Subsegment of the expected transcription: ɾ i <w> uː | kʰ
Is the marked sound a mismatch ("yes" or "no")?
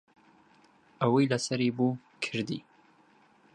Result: yes